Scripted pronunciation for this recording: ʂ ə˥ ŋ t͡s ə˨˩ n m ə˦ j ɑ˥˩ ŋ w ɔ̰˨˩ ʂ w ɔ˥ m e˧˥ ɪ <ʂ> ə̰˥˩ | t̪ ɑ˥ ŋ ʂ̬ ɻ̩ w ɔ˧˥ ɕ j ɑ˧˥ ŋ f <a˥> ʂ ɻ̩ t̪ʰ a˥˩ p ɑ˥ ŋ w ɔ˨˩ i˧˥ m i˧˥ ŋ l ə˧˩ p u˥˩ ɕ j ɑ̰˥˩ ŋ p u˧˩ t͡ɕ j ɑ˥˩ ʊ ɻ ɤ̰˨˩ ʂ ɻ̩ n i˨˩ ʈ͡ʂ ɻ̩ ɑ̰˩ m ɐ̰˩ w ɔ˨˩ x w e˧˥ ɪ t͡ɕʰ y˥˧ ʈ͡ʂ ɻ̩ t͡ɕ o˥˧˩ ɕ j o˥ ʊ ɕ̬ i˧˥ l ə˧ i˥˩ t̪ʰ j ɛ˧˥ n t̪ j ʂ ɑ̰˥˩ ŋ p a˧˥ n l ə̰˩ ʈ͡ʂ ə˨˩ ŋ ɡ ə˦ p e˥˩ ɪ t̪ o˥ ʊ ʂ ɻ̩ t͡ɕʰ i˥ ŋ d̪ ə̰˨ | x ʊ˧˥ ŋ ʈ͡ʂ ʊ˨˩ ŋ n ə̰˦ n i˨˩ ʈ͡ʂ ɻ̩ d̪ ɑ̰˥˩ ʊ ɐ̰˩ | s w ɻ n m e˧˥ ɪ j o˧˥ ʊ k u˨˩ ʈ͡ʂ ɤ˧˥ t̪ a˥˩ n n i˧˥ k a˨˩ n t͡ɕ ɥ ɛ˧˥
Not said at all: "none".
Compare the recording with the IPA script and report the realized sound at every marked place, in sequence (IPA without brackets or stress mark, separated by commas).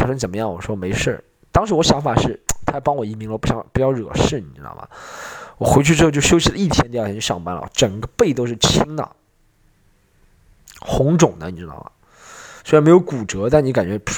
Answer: ʂ, a˨˩